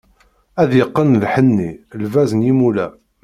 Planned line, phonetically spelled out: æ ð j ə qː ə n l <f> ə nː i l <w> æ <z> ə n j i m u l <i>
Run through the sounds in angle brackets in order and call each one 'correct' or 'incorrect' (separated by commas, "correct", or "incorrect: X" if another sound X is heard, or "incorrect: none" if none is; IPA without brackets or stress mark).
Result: incorrect: ħ, incorrect: v, correct, incorrect: æ